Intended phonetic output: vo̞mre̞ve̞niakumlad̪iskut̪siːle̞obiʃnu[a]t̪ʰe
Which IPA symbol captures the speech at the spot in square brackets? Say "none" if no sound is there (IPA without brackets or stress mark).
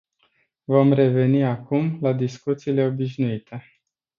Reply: i